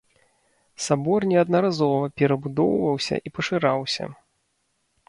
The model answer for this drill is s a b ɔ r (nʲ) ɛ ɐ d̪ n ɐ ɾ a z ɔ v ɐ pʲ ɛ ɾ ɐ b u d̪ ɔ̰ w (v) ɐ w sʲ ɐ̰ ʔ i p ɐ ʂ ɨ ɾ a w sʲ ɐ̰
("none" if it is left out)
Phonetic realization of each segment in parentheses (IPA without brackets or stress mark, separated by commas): nʲ, v